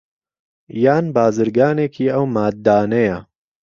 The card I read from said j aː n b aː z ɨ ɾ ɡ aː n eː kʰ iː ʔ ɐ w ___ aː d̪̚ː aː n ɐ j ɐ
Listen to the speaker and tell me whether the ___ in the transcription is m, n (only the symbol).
m